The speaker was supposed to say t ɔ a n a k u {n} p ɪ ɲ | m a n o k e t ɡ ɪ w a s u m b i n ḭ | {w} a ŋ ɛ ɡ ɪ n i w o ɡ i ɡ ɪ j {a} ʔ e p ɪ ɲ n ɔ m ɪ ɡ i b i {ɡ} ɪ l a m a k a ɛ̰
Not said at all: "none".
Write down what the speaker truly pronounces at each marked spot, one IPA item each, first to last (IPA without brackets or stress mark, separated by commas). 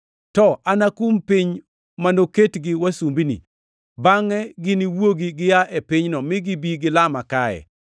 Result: m, b, a, ɡ